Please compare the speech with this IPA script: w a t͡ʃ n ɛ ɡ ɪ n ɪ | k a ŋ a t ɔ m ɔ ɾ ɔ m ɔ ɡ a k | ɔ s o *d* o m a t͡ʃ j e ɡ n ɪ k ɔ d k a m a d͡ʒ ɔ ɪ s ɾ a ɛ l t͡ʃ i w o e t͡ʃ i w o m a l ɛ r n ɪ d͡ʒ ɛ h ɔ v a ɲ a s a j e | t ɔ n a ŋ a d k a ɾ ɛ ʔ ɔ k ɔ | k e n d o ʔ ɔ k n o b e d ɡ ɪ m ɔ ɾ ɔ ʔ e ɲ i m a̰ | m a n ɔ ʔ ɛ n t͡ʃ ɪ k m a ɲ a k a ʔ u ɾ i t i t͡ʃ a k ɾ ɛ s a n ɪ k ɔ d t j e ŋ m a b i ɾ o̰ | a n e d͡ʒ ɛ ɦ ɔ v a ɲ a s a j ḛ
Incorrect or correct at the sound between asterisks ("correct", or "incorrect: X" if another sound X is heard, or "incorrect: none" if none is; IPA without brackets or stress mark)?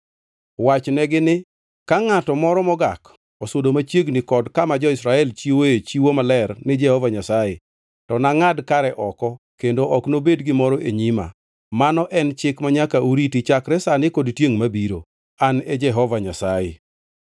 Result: correct